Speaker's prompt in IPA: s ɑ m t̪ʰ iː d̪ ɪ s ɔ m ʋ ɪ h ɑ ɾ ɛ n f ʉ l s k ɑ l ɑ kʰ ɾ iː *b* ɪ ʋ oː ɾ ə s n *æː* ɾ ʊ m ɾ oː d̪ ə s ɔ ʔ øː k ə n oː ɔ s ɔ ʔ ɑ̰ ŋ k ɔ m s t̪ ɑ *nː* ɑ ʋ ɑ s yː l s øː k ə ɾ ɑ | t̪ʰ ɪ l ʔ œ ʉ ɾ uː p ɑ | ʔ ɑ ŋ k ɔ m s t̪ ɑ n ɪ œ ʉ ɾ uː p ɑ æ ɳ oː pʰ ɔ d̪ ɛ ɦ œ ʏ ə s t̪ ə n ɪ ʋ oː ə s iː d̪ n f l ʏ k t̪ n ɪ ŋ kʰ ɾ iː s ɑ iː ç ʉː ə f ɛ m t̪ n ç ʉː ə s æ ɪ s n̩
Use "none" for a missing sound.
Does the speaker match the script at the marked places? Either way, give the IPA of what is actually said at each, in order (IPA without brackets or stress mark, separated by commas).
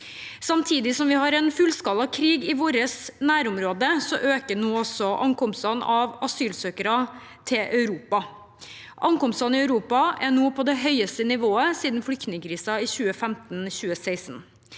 ɡ, æː, n